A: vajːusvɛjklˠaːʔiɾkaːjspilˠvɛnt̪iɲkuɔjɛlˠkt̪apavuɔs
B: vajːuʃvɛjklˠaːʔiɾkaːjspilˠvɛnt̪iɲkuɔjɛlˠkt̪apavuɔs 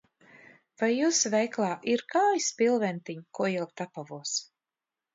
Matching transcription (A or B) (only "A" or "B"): A